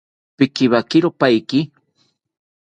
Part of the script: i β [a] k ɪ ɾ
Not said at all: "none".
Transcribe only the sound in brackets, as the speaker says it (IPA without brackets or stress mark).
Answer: a